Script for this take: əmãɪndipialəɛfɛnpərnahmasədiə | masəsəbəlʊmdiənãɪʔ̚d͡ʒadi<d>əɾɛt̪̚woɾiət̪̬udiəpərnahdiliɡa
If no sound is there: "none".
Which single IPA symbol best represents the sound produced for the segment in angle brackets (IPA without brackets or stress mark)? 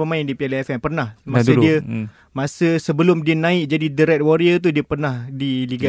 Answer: d